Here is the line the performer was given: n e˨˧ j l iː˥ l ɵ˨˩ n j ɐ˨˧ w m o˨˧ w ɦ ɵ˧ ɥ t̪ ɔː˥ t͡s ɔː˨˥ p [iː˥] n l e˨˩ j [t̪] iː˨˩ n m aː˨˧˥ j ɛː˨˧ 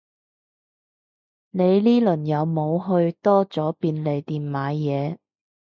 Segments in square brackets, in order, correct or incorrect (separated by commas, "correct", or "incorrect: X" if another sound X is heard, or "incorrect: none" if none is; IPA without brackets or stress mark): incorrect: iː˧, correct